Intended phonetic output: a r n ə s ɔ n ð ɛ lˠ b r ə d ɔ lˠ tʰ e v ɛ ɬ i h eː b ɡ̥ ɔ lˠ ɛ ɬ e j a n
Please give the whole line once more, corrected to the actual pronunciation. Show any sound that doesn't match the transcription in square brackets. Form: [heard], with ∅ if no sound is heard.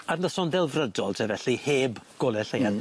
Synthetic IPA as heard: a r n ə s ɔ n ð ɛ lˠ [v] r ə d ɔ lˠ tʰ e v ɛ ɬ i h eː b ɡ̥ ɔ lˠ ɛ ɬ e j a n